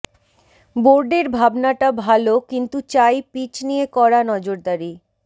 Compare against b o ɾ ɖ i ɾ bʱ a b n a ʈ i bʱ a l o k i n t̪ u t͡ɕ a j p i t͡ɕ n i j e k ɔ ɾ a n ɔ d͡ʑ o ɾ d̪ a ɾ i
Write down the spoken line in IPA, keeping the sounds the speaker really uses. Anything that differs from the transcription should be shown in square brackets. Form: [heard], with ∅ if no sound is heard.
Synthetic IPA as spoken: b o ɾ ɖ [e] ɾ bʱ a b n a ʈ [a] bʱ a l o k i n t̪ u t͡ɕ a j p i t͡ɕ n i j e k ɔ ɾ a n ɔ d͡ʑ o ɾ d̪ a ɾ i